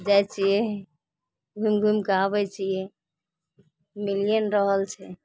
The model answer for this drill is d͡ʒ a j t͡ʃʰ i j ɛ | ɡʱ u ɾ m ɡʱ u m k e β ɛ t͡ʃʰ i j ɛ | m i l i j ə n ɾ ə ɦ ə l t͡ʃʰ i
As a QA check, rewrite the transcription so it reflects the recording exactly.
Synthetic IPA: d͡ʒ a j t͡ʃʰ i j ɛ | ɡʱ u m ɡʱ u m k a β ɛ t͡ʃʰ i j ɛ | m i l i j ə n ɾ ə ɦ ə l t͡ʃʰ ɛ